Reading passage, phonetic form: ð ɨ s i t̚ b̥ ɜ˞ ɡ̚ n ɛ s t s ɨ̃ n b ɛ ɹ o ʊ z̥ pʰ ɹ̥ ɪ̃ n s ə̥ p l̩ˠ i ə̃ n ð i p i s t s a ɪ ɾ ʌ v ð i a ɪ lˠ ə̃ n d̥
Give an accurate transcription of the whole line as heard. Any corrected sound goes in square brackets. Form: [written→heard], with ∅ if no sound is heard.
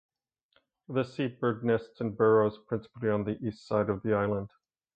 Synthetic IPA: ð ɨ s i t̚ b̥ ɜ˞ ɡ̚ n ɛ s t s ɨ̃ n b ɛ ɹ o ʊ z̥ pʰ ɹ̥ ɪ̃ n s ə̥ p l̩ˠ i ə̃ n ð i [p→ʔ] i s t s a ɪ ɾ ʌ v ð i a ɪ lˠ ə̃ n d̥